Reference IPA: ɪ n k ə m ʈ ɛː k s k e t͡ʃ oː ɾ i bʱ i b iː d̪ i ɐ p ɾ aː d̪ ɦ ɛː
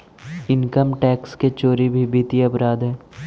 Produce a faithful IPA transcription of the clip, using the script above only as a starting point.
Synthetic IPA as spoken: ɪ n k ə m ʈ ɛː k s k e t͡ʃ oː ɾ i bʱ i b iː t̪ i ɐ p ɾ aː d̪ ɦ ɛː